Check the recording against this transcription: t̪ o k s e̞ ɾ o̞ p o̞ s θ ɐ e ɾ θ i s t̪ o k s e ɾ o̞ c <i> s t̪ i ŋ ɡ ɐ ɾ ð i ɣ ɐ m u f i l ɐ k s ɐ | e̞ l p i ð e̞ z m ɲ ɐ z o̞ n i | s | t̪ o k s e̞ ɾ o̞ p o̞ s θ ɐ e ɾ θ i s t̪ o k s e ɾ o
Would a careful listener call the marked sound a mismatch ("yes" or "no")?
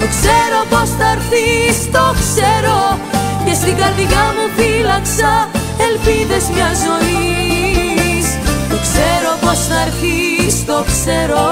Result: yes